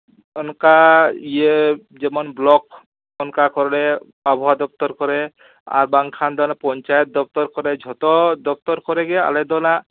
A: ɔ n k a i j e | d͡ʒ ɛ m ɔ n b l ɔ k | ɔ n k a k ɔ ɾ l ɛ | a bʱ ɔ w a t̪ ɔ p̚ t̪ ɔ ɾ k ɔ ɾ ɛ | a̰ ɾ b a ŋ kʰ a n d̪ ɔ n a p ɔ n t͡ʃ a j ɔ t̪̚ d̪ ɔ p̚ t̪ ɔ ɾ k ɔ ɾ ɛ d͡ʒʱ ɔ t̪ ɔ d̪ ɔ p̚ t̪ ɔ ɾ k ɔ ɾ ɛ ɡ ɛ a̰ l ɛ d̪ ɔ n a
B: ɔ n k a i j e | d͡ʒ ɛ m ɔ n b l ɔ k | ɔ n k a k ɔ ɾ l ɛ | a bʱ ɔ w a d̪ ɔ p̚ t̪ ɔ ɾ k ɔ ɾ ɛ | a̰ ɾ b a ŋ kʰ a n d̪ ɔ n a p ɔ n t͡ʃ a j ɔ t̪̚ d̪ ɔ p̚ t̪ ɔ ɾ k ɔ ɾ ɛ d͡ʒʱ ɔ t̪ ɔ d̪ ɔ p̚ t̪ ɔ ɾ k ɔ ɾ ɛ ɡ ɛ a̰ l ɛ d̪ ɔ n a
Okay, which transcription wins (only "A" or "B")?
B